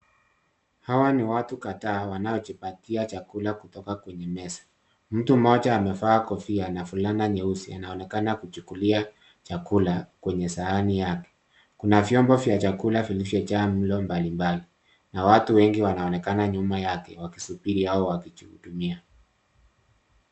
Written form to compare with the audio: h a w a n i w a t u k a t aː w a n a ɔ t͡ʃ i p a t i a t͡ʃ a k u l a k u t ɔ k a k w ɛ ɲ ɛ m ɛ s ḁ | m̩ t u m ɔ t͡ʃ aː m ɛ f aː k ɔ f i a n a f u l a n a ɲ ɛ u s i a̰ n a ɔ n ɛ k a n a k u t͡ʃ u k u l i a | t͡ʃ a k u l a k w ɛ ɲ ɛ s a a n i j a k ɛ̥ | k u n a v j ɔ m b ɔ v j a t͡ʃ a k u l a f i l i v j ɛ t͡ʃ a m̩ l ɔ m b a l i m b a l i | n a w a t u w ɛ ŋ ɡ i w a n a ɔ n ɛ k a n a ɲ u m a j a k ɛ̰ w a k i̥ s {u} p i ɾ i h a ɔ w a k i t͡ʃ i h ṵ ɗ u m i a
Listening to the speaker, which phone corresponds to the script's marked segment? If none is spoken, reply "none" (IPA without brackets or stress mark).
u